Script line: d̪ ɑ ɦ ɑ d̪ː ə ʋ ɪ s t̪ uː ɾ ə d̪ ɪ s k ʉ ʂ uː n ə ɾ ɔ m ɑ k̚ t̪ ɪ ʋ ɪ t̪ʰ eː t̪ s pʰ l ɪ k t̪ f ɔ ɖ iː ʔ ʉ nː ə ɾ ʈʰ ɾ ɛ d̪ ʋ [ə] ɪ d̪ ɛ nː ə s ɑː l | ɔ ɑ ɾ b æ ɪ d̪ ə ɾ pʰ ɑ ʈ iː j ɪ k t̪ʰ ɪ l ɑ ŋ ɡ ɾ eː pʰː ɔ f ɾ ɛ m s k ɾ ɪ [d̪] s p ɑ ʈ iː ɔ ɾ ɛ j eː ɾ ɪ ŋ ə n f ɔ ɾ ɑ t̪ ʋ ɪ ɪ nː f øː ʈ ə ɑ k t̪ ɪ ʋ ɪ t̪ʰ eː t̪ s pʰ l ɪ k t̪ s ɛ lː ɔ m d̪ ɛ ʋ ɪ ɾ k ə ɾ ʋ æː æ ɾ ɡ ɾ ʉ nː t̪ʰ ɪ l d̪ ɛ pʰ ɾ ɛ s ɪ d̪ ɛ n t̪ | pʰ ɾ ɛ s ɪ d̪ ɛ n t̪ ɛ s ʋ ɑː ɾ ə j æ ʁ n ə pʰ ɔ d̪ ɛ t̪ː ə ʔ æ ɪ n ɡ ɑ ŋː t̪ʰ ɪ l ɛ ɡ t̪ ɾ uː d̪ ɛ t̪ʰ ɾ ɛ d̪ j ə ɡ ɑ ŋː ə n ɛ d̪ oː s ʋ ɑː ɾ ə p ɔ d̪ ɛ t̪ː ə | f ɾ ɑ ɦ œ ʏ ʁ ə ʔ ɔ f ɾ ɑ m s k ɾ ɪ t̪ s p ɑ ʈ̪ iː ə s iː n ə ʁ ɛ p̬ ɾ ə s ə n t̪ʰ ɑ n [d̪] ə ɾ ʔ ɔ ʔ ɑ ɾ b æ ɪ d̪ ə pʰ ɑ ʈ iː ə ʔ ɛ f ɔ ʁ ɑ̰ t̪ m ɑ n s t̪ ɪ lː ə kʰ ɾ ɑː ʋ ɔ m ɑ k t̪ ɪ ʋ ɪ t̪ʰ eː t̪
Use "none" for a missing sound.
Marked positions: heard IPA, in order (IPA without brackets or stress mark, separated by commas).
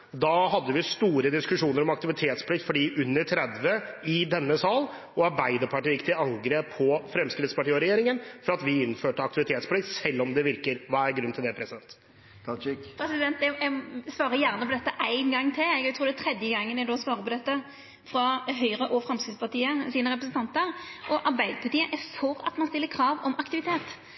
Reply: ə, t̪, t̪